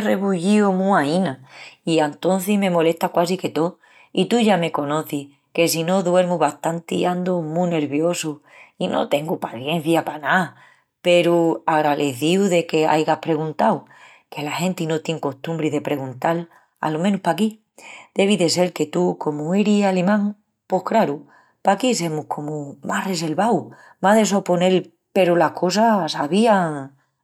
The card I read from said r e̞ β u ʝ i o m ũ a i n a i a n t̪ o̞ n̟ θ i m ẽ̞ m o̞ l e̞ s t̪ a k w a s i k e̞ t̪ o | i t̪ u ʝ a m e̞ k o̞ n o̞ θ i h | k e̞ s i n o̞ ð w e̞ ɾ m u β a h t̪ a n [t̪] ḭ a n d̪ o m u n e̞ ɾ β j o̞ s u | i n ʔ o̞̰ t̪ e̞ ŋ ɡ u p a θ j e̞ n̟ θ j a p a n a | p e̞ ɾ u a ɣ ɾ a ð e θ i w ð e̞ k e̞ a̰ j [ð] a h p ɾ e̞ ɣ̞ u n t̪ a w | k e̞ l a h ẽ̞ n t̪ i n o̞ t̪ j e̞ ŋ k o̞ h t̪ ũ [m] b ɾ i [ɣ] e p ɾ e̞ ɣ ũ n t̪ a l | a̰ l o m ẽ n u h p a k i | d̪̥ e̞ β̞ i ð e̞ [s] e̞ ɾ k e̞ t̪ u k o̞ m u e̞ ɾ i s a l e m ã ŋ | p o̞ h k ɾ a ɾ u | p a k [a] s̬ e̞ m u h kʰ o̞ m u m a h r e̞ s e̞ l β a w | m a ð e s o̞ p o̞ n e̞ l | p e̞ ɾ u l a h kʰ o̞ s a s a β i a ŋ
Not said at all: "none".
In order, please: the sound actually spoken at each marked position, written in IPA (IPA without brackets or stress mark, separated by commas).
t̪, ɣ, m, ð, s, i